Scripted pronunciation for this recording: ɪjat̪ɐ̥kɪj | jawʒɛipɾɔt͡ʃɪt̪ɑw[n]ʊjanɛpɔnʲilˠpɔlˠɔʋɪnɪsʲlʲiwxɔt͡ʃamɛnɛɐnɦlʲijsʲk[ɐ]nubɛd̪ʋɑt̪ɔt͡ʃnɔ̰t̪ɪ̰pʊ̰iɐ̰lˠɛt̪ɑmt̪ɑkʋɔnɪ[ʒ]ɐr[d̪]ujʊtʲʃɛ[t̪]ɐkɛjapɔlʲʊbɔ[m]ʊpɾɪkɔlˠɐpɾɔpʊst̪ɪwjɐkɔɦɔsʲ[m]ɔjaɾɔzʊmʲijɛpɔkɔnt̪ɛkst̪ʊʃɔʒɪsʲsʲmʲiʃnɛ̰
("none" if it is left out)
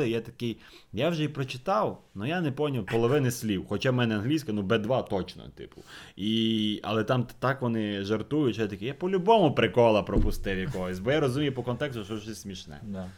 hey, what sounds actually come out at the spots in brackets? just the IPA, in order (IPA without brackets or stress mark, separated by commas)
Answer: n, ɐ, ʒ, t̪, t̪, m, b